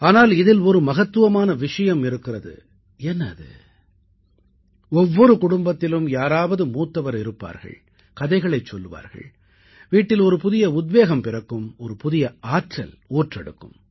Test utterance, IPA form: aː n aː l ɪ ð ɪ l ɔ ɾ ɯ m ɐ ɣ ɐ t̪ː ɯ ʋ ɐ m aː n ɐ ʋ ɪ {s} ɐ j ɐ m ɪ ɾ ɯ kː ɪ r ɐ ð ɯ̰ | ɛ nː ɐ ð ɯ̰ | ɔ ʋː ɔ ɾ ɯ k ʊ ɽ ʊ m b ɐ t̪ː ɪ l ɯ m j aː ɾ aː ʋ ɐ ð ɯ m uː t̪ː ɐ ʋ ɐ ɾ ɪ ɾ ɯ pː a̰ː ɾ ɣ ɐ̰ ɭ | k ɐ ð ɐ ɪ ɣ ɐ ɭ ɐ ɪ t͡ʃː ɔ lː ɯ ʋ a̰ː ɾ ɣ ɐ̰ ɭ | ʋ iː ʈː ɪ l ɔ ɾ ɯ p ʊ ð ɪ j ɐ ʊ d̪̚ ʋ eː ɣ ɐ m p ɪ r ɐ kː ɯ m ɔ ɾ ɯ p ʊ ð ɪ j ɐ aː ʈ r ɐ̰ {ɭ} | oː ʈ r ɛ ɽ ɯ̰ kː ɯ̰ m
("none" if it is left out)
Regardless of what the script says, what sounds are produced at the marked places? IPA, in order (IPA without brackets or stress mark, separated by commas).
ʂ, l